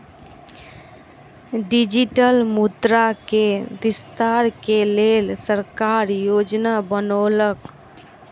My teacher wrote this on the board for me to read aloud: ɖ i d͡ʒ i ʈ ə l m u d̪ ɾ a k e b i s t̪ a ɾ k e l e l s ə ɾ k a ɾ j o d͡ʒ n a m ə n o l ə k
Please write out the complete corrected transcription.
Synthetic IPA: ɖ i d͡ʒ i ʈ ə l m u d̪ ɾ a k e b i s t̪ a ɾ k e l e l s ə ɾ k a ɾ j o d͡ʒ n a b ə n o l ə k

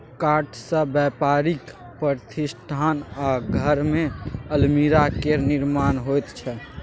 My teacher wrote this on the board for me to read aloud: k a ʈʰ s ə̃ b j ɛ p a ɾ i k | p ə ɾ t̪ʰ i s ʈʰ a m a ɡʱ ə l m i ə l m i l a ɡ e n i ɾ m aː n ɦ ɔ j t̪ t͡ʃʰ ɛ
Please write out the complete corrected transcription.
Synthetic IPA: k a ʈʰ s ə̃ b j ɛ p a ɾ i k | p ə ɾ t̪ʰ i s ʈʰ a n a ɡʱ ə ɾ m e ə l m i ɾ a k e n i ɾ m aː n ɦ o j t̪ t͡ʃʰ ɛ

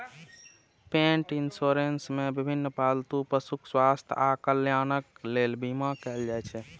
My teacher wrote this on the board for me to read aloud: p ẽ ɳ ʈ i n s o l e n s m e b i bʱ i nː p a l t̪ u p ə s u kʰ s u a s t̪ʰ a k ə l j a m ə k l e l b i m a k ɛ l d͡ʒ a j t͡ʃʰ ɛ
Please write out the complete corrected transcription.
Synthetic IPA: p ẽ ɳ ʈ i n s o ɾ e n s m e b i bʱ i nː p a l t̪ u p ə s u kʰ s w a s t̪ʰ a k ə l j a n ə k l e l b i m a k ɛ l d͡ʒ a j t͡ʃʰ ɛ

